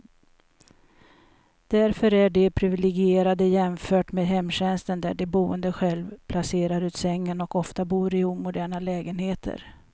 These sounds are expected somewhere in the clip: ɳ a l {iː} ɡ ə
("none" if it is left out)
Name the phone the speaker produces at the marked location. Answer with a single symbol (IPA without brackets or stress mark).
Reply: ɛː